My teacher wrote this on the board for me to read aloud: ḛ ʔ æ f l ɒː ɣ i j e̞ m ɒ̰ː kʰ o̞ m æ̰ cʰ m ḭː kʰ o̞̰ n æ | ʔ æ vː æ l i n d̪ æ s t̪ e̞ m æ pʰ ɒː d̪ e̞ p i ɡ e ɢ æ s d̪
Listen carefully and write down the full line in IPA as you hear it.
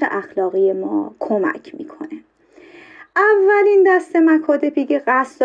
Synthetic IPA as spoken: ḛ ʔ æ x l ɒː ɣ i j e̞ m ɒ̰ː kʰ o̞ m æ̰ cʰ m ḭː kʰ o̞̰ n e | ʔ æ vː æ l i n d̪ æ s t̪ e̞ m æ kʰ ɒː d̪ e̞ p i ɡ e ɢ æ s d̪